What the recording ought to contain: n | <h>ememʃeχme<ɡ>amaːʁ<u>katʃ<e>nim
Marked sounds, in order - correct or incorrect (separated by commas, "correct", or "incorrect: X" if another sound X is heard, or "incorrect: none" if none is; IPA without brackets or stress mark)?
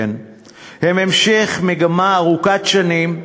correct, correct, correct, incorrect: a